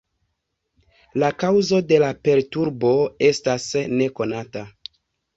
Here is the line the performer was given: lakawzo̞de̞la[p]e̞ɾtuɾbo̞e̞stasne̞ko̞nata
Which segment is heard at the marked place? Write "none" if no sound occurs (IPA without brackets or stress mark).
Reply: p